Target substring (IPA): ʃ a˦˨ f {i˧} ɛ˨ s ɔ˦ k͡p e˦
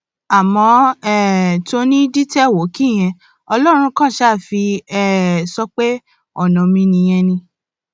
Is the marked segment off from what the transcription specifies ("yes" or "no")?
no